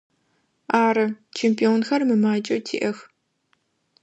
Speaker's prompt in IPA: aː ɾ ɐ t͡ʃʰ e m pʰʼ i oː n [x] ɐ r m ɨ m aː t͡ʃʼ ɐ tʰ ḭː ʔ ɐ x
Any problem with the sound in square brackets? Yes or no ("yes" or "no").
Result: no